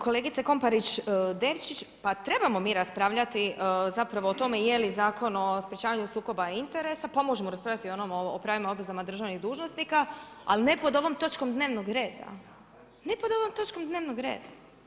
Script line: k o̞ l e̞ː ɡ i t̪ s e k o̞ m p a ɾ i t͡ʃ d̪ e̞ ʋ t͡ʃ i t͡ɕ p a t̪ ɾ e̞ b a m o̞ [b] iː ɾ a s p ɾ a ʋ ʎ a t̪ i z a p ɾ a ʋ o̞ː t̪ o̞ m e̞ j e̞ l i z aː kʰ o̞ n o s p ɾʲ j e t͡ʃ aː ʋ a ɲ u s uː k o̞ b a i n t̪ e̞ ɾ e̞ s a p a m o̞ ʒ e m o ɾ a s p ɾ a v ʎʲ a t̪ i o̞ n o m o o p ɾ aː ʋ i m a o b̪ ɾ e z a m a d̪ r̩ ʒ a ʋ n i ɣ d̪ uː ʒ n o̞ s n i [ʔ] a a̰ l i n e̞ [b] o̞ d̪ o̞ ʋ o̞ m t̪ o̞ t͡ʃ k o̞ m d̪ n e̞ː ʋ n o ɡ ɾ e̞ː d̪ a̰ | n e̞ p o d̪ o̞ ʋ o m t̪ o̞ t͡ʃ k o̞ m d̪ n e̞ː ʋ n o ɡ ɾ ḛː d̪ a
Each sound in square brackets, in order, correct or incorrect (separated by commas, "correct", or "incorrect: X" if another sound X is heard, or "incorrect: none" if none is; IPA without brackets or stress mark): incorrect: m, incorrect: k, incorrect: p